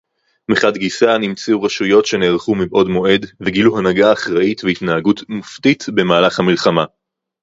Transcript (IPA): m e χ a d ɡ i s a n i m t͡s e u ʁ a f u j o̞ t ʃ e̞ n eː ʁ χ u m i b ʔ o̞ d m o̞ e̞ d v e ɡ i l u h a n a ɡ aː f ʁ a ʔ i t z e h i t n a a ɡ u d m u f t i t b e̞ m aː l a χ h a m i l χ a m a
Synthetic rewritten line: m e χ a d ɡ i s a n i m t͡s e u ʁ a ʃ u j o̞ t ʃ e̞ n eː ʁ χ u m i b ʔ o̞ d m o̞ e̞ d v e ɡ i l u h a n a ɡ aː χ ʁ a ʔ i t v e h i t n a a ɡ u t m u f t i t b e̞ m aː l a χ h a m i l χ a m a